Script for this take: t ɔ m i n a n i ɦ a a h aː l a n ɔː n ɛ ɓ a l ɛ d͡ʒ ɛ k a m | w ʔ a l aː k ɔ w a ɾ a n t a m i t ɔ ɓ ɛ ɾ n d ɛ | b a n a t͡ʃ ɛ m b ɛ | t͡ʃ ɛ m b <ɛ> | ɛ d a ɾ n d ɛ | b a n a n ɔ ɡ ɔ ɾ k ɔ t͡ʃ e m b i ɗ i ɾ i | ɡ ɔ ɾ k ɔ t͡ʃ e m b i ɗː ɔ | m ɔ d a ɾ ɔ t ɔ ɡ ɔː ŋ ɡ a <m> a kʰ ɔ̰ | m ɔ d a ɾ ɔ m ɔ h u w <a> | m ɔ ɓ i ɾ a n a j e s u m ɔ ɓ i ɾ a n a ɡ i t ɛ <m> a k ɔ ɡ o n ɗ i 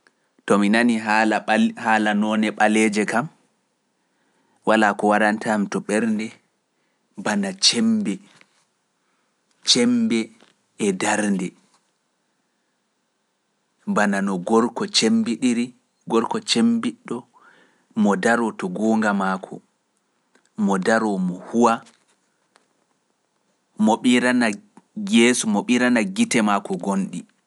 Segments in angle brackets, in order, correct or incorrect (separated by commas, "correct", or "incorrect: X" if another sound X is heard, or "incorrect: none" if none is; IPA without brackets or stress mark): correct, correct, correct, correct